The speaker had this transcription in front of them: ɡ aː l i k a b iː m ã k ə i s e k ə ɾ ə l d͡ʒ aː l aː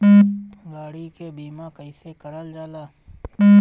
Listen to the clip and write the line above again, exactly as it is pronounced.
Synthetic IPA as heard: ɡ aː ɽ i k e b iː m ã k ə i s e k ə ɾ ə l d͡ʒ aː l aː